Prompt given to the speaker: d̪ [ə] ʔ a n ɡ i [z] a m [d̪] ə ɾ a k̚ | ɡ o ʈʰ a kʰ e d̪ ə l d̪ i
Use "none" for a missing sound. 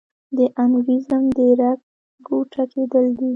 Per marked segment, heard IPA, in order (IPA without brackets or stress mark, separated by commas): ə, z, d̪